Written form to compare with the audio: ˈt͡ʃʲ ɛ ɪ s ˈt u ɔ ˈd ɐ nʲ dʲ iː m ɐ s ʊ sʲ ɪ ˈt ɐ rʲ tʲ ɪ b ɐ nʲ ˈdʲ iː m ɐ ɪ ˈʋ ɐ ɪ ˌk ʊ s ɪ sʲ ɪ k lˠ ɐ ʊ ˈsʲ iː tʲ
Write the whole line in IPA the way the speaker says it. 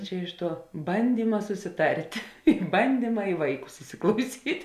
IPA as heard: ˈt͡ʃʲ ɛ ɪ ʃ ˈt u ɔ ˈb ɐ nʲ dʲ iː m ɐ s ʊ sʲ ɪ ˈt ɐ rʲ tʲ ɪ b ɐ nʲ ˈdʲ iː m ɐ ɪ ˈʋ ɐ ɪ ˌk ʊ s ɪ sʲ ɪ k lˠ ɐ ʊ ˈsʲ iː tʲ